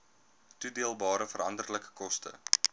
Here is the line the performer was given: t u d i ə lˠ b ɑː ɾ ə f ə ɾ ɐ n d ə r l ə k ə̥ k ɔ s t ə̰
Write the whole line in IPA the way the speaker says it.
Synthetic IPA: t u d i ə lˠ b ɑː ɾ ə f ə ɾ ɐ n d ə r l ə k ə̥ k ɔ s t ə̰

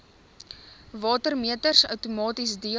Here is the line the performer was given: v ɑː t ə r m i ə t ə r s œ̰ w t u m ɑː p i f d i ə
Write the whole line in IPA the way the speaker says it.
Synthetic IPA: v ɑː t ə r m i ə t ə r s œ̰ w t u m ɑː t i s d i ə

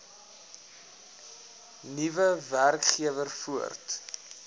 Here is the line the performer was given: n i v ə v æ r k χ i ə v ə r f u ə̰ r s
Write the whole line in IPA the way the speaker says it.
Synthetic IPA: n i v ə v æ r k χ i ə v ə r f u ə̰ r t

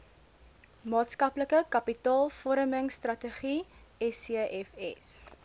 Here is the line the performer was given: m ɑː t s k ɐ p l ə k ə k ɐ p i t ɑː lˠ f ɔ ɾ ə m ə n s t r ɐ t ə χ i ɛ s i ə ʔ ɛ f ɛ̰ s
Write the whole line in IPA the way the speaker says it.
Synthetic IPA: m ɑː t s k ɐ p l ə k ə k ɐ p i t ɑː lˠ f ɔ ɾ ə m ə ŋ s t r ɐ t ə χ i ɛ s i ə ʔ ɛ f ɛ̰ s

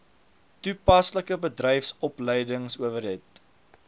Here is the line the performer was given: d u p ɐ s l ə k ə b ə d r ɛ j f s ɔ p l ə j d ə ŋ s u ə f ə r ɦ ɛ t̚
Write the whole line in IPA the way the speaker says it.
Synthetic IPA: t u p ɐ s l ə k ə b ə d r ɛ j f s ɔ p l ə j d ə ŋ s u ə v ə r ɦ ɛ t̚

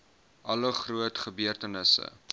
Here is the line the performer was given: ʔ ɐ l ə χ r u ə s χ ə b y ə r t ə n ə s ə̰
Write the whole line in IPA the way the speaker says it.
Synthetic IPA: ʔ ɐ l ə χ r u ə t χ ə b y ə r t ə n ə s ə̰

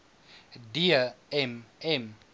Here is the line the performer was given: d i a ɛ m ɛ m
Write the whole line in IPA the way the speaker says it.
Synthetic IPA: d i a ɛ m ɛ m

